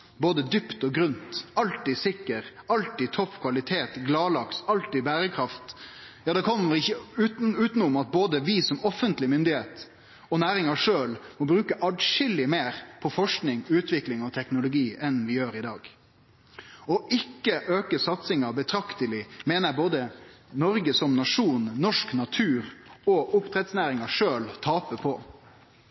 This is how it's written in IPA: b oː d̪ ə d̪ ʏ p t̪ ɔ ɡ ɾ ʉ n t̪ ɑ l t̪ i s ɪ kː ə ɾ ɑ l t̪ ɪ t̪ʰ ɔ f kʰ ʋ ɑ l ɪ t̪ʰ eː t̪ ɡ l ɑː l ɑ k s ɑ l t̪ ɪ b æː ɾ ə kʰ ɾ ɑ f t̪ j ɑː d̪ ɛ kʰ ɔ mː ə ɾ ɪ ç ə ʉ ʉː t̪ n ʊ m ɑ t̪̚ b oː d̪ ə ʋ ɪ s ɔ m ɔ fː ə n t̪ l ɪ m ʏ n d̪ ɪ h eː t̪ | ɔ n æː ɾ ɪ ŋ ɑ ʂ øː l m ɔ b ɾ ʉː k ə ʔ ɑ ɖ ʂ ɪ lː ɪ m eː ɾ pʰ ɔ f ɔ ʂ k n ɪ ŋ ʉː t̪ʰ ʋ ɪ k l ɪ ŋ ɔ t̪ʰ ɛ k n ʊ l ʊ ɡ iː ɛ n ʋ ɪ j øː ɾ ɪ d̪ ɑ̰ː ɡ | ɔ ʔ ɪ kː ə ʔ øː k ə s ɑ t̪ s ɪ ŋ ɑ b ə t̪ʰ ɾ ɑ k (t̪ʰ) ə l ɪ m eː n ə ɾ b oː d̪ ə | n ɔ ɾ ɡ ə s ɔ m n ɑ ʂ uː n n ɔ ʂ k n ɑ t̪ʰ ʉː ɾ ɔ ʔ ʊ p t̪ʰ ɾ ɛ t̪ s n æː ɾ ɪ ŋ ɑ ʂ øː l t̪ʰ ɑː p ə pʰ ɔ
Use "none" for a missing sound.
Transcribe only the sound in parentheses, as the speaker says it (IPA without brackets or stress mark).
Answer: t̪